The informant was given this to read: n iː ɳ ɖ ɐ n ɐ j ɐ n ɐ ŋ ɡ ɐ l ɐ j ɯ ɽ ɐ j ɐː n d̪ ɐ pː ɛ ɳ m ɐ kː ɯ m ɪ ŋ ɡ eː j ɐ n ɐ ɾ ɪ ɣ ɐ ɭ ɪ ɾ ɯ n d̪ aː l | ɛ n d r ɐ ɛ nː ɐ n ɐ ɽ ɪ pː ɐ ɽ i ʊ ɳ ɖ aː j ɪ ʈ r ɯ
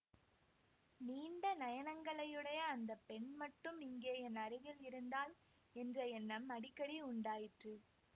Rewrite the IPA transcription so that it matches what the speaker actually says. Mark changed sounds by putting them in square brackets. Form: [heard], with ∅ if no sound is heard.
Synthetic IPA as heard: n iː ɳ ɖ ɐ n ɐ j ɐ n ɐ ŋ ɡ ɐ [ɭ] ɐ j ɯ ɽ ɐ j ɐː n d̪ ɐ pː ɛ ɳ m ɐ [ʈː] ɯ m ɪ ŋ ɡ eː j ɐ n ɐ ɾ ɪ ɣ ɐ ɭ ɪ ɾ ɯ n d̪ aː l | ɛ n d r ɐ ɛ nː ɐ [m] ɐ ɽ ɪ [kː] ɐ ɽ i ʊ ɳ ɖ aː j ɪ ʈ r ɯ